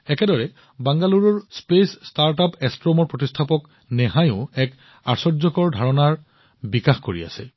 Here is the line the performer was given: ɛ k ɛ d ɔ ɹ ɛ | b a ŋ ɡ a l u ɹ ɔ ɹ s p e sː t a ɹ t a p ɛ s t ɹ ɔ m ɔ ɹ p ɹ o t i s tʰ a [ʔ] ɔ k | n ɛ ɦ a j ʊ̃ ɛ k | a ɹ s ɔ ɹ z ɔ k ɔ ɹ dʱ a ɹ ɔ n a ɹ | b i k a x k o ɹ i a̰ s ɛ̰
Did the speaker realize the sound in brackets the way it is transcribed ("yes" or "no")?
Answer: no